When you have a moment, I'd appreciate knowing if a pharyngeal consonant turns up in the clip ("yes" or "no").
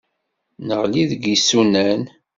no